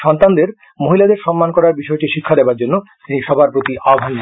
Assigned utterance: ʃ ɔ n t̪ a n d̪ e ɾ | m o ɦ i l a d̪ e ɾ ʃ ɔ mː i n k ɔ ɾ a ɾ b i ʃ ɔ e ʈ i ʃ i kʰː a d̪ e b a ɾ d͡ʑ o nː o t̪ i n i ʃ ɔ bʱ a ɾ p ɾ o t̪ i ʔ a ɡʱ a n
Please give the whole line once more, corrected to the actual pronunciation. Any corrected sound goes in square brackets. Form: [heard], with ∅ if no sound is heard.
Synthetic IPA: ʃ ɔ n t̪ a n d̪ e ɾ | m o ɦ i l a d̪ e ɾ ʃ ɔ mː [a] n k ɔ ɾ a ɾ b i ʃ ɔ e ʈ i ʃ i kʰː a d̪ e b a ɾ d͡ʑ o nː o t̪ i n i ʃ ɔ bʱ a ɾ p ɾ o t̪ i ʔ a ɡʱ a n